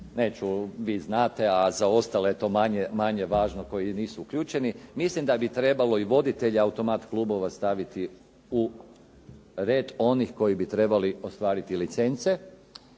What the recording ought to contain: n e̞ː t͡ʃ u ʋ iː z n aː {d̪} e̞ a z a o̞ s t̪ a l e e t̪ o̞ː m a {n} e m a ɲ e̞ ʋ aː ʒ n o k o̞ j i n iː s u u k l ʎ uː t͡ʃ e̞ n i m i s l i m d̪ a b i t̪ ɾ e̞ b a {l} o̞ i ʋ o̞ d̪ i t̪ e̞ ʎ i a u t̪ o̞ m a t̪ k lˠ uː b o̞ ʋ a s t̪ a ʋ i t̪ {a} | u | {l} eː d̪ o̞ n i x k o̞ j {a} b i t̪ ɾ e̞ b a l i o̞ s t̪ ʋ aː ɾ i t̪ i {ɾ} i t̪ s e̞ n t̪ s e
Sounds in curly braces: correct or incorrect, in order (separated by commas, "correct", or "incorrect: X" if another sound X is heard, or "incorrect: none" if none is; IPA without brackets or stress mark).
incorrect: t̪, incorrect: ɲ, correct, incorrect: i, incorrect: ɾ, incorrect: i, incorrect: l